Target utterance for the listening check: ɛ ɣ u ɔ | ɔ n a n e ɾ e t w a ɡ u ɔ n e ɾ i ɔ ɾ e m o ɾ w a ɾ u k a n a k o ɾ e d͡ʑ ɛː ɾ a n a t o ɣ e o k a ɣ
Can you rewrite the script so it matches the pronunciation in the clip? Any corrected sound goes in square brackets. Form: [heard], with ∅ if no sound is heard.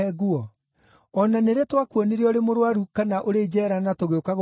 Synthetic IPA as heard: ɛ ɣ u ɔ | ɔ n a n e ɾ e t w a [k] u ɔ n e ɾ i ɔ ɾ e m o ɾ w a ɾ u k a n a [ʔ] o ɾ e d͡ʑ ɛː ɾ a n a t o ɣ e o k a ɣ

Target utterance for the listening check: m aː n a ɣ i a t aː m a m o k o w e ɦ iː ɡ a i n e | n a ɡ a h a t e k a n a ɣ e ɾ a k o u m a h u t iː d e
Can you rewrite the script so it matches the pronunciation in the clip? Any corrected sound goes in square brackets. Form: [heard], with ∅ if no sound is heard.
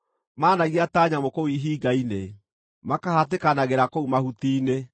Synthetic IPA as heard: m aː n a ɣ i a t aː [ɲ] a m o k o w [i] ɦ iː ɡ a i n e | [m] a [k] a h a t e k a n a ɣ e ɾ a k o u m a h u t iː [n] e

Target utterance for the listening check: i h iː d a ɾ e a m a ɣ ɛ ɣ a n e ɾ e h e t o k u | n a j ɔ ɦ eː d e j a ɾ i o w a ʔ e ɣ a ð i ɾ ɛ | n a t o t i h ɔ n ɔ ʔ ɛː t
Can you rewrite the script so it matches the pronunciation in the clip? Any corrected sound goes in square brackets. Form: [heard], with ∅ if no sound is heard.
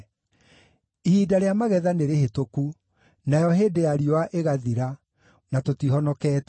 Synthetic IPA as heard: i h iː d a ɾ e a m a ɣ ɛ [ð] a n e ɾ e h e t o k u | n a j ɔ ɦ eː d e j a ɾ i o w a ʔ e ɣ a ð i ɾ [a] | n a t o t i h ɔ n ɔ [k] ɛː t

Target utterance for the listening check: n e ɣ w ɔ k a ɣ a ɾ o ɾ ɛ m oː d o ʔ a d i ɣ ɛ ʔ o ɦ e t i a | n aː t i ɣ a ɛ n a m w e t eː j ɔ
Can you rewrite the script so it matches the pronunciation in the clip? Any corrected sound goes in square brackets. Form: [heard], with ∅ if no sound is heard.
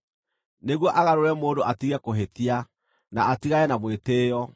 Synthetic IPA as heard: n e ɣ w ɔ [ʔ] a ɣ a ɾ o ɾ ɛ m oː d o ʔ a [t] i ɣ ɛ [k] o ɦ e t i a | n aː t i ɣ a ɛ n a m w e t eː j ɔ

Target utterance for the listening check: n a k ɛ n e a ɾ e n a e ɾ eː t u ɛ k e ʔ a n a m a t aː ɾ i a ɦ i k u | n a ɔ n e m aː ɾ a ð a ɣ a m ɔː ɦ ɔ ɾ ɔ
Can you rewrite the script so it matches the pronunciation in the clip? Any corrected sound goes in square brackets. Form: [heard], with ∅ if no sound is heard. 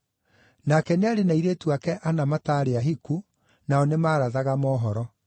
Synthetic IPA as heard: n a k ɛ n e a ɾ e n a [i] ɾ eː t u [a] k [ɛ] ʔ a n a m a t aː ɾ [e] a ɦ i k u | n a ɔ n e m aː ɾ a ð a ɣ a m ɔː ɦ ɔ ɾ ɔ

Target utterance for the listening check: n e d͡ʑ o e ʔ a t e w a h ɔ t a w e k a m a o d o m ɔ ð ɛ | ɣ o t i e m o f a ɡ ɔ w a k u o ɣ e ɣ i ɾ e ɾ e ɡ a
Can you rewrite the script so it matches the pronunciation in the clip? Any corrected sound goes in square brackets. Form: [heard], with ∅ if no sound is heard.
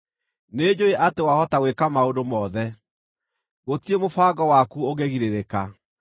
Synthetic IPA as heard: n e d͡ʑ o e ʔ a t e w a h ɔ t a w e k a m a o d o m ɔ ð ɛ | ɣ o t i e m o f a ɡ ɔ w a k u o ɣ e ɣ i ɾ e ɾ e [k] a

